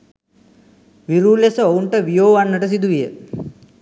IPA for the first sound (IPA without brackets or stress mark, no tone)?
ʋ